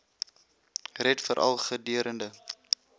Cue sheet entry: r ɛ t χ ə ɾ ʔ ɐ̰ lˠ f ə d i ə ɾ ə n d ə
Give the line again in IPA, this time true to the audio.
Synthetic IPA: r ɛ t f ə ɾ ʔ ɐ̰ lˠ χ ə d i ə ɾ ə n d ə